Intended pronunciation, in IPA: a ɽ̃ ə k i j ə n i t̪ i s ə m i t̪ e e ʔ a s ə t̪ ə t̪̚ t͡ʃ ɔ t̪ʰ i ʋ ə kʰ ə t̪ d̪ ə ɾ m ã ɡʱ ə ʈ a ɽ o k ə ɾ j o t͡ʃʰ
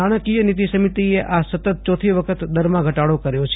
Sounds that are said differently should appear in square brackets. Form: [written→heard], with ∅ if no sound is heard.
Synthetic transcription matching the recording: a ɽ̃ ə k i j ə n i t̪ i s ə m i t̪ [e→i] e ʔ a s ə t̪ ə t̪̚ t͡ʃ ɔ t̪ʰ i ʋ ə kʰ ə t̪ d̪ ə ɾ m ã ɡʱ ə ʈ a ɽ o k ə ɾ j o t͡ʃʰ